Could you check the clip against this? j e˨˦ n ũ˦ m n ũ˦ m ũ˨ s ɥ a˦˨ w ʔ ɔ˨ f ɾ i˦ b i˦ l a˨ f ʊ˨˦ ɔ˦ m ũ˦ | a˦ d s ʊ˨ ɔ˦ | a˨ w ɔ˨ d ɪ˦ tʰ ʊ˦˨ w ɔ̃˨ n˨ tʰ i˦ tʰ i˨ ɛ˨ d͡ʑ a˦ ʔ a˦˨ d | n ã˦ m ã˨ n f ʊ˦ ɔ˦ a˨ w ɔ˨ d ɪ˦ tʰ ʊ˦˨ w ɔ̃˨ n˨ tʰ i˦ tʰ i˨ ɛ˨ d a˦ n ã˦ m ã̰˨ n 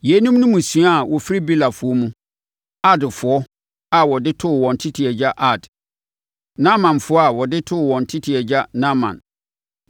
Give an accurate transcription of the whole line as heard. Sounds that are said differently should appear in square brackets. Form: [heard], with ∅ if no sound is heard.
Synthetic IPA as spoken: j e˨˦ n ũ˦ m n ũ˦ m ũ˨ s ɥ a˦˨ w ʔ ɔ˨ f ɾ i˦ b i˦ l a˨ f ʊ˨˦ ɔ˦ m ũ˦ | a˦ d [f] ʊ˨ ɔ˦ | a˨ w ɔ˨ d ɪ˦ tʰ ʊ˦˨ w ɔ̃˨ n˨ tʰ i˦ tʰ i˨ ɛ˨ d͡ʑ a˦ ʔ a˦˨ d | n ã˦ m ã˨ n f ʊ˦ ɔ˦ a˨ w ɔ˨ d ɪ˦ tʰ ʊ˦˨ w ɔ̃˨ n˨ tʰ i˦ tʰ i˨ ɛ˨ [d͡ʑ] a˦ n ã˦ m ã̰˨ n

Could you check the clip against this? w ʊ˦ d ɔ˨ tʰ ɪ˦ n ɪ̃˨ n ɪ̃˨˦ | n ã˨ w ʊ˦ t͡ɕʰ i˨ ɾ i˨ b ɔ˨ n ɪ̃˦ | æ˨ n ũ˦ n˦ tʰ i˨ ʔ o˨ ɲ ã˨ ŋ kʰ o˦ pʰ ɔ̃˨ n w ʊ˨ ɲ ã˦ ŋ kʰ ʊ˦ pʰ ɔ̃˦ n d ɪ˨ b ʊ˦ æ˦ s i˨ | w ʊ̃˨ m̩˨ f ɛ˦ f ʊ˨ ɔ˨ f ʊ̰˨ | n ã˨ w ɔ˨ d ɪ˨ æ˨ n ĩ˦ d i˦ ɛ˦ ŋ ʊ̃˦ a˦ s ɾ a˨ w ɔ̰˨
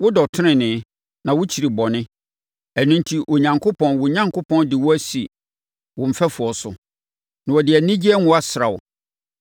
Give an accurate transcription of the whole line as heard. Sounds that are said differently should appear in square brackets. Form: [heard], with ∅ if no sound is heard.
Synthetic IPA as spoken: w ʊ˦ d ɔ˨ tʰ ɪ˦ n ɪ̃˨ n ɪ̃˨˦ | n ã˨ w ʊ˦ t͡ɕʰ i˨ ɾ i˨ b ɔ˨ n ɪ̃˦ | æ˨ n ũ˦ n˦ tʰ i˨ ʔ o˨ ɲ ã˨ ŋ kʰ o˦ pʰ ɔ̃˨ n w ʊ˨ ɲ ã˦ ŋ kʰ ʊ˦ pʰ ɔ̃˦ n d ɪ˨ [w] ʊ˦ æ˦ s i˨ | w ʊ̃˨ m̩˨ f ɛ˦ f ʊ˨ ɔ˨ [s] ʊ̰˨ | n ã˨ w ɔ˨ d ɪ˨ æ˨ n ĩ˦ [d͡ʑ] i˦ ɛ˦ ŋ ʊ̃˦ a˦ s ɾ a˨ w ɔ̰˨

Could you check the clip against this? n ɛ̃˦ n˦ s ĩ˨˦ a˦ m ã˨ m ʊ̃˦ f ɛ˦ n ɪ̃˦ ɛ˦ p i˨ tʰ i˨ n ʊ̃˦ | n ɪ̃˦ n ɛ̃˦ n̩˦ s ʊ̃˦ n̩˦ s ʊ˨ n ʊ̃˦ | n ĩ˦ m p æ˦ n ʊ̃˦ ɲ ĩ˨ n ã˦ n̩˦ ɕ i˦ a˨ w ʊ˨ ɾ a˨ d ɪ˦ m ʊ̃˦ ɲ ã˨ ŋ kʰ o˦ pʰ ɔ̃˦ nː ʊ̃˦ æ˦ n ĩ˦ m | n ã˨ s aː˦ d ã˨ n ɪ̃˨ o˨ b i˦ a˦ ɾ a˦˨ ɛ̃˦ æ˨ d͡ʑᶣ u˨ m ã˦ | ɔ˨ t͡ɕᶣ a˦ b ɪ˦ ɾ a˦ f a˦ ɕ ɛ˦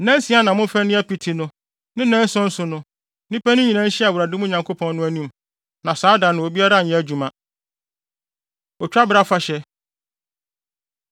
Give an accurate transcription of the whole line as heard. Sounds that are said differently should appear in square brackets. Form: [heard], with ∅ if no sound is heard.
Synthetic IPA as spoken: n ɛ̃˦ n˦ s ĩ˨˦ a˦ [n] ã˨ m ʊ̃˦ f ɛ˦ n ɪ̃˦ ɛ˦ p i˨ tʰ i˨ n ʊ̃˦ | n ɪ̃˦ n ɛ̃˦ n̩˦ s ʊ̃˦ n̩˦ s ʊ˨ n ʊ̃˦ | n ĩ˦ [∅] p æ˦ n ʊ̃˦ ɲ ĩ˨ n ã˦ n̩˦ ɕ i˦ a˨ w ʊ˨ ɾ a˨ d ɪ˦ m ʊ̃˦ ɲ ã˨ ŋ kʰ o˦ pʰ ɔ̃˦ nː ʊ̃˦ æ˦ n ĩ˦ m | n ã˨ s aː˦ d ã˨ n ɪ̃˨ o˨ b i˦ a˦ ɾ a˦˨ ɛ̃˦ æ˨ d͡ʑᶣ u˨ m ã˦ | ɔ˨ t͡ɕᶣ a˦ b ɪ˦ ɾ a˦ f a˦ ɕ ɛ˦

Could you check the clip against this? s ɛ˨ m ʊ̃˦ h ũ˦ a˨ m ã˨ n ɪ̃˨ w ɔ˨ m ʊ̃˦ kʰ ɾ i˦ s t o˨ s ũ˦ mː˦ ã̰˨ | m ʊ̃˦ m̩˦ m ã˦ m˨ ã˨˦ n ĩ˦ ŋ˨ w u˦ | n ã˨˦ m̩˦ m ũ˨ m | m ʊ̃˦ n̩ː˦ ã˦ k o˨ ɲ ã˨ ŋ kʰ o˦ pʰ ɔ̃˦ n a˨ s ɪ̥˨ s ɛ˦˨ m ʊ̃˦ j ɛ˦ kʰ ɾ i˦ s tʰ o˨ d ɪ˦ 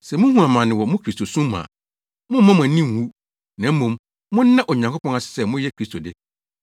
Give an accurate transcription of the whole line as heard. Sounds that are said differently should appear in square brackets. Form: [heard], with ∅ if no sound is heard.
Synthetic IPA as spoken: s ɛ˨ m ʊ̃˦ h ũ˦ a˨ m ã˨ n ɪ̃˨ w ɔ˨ m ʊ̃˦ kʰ ɾ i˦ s t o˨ s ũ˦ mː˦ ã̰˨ | m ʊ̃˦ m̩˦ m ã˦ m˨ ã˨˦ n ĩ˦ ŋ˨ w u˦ | n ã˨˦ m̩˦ m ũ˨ m | m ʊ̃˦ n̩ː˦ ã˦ [ʔ] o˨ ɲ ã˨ ŋ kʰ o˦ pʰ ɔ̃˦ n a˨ s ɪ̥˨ s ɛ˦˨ m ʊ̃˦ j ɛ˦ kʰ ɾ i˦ s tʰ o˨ d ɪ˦

